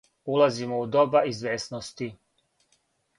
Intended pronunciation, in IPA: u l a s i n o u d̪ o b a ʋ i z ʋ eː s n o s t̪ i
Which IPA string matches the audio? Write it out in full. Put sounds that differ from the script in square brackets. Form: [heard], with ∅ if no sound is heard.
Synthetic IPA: u l a [z] i [m] o u d̪ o b a [∅] i z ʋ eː s n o s t̪ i